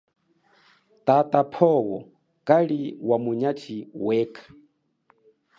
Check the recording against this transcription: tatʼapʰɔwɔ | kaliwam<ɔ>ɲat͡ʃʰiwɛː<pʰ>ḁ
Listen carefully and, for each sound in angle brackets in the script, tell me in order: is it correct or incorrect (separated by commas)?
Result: incorrect, incorrect